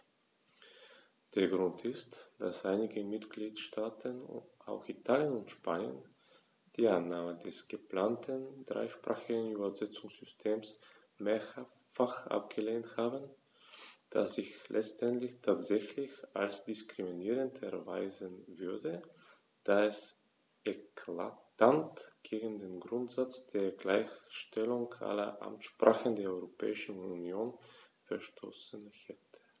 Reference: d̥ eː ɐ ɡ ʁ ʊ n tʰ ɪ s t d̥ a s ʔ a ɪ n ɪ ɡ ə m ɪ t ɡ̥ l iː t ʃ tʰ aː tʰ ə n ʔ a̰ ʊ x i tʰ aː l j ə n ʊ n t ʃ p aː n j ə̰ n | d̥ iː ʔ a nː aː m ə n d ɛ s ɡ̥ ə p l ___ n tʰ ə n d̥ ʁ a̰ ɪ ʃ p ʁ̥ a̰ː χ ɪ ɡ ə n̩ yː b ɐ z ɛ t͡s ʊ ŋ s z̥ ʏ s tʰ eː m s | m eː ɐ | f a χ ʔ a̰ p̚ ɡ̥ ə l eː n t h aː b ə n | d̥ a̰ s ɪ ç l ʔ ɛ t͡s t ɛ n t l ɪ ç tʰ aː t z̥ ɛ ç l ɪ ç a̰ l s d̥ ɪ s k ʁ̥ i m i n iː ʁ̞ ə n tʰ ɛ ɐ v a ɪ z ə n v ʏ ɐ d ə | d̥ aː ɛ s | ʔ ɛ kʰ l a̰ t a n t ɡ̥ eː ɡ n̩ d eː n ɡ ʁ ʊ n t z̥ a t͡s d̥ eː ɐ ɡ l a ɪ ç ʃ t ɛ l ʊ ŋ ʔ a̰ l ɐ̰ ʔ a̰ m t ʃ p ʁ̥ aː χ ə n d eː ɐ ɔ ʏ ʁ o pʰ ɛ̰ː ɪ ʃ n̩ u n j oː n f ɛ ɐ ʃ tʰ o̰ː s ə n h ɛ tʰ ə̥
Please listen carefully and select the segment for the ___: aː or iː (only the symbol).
aː